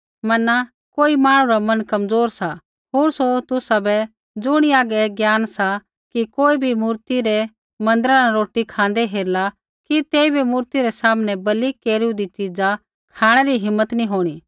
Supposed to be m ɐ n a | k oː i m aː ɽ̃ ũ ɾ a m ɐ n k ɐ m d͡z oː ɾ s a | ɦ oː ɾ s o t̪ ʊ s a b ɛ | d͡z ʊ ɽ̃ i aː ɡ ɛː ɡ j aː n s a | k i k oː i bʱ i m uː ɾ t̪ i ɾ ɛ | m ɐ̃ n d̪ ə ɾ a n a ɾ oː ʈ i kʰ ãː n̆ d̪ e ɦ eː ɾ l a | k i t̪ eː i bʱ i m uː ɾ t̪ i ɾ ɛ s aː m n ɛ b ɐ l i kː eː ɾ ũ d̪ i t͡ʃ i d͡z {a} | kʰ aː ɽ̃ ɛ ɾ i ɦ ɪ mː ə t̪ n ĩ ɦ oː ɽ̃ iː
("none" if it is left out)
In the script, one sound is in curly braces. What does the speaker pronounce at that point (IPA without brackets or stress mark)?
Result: a